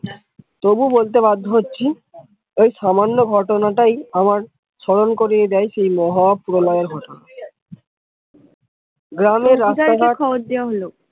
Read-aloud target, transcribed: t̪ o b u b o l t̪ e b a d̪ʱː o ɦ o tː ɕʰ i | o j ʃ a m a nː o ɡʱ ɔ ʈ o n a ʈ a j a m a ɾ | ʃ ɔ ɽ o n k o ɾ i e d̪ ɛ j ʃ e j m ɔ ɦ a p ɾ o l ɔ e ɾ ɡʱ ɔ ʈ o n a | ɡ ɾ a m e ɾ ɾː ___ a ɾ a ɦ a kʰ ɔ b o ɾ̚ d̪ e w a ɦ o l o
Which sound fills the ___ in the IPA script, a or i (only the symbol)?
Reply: a